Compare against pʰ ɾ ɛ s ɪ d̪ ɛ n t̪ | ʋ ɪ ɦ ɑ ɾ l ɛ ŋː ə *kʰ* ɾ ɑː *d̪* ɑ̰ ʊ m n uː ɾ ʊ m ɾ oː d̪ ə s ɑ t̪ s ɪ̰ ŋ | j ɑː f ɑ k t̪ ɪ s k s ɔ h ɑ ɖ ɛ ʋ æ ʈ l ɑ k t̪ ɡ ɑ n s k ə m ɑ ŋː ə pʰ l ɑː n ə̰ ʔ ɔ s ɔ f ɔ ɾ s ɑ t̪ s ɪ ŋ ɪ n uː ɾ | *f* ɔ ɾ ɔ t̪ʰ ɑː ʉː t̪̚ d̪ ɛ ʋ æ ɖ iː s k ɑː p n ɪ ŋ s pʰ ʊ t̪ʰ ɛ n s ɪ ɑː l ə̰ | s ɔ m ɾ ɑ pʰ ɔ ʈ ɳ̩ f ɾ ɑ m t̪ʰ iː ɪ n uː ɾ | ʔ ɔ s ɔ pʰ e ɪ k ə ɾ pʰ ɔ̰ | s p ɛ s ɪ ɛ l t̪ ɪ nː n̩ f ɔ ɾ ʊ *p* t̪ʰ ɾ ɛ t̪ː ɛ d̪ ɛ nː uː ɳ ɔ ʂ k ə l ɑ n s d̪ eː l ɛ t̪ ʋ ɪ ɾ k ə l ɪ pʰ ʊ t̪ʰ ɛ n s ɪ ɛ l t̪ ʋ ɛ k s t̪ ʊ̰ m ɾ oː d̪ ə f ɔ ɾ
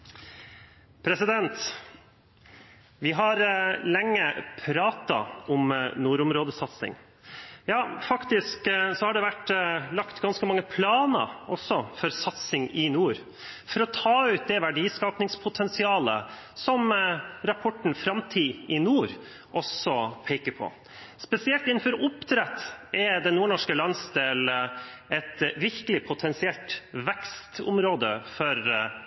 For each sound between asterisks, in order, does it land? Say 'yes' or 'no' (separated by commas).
no, no, yes, yes